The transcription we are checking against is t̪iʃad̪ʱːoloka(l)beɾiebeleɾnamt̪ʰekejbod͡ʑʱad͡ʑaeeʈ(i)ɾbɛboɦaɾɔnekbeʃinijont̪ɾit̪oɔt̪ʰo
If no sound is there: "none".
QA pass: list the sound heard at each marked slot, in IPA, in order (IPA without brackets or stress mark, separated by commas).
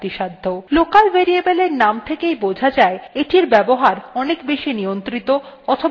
l, i